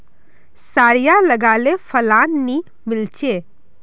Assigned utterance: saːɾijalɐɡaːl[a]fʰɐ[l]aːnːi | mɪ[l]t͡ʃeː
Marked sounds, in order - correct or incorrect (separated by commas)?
incorrect, correct, correct